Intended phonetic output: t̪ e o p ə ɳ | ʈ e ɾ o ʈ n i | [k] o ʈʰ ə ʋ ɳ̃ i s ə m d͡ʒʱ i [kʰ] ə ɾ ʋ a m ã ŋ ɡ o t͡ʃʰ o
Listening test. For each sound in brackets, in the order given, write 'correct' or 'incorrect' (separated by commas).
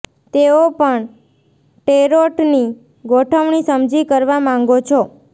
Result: incorrect, incorrect